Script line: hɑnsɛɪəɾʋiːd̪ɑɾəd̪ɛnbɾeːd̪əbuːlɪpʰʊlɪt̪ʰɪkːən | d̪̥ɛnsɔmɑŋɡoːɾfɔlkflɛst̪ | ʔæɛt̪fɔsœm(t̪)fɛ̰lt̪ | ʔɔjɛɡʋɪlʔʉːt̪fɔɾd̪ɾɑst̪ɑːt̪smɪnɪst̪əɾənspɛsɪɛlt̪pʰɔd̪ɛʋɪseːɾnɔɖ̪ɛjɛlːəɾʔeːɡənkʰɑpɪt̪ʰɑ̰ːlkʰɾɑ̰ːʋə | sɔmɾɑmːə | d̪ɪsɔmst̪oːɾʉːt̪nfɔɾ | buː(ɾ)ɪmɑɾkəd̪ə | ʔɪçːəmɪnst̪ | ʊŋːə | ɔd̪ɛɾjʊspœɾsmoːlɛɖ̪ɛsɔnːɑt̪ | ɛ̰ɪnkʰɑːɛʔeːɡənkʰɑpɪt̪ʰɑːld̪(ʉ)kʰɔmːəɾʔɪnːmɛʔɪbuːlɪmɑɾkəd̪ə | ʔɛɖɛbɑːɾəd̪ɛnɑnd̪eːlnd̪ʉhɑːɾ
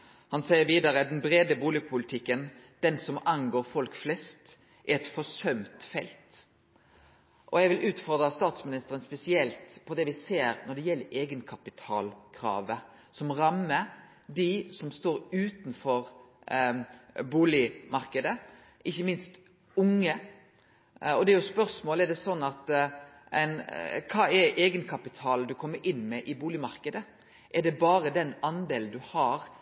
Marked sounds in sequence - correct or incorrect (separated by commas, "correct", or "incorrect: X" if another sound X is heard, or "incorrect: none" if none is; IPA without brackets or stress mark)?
correct, incorrect: l, correct